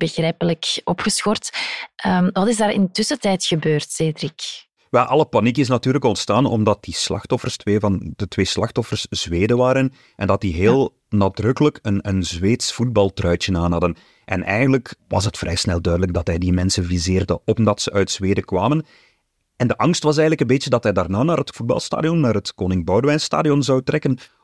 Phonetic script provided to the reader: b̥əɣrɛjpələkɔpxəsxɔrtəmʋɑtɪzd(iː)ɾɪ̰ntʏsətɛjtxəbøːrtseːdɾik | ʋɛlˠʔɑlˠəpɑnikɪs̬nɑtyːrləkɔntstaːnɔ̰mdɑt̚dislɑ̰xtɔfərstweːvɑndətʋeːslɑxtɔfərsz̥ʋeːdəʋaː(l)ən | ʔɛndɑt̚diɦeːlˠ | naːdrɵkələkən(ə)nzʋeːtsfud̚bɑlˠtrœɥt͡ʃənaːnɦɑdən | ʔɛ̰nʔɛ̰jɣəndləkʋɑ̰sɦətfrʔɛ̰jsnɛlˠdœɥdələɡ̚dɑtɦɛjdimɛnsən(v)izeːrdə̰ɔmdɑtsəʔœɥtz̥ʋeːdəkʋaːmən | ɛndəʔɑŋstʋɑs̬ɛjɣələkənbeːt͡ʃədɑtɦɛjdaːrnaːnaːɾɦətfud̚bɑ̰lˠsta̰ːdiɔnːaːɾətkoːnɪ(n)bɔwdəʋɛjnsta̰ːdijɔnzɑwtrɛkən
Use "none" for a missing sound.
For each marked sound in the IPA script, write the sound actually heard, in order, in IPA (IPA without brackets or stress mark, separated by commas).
aː, ɾ, ə, v, ŋ